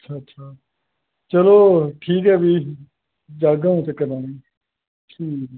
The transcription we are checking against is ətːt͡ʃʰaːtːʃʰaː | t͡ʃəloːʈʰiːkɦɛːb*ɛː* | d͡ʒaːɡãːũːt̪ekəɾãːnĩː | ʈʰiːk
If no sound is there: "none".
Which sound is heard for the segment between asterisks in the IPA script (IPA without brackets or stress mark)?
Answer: iː